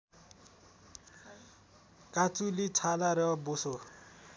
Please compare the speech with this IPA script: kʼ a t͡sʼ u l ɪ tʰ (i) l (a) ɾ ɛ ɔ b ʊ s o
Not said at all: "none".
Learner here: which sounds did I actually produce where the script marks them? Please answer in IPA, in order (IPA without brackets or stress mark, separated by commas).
a, a